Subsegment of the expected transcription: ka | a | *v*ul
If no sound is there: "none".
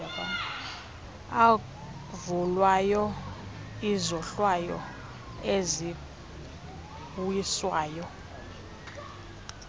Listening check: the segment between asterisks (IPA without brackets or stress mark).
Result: v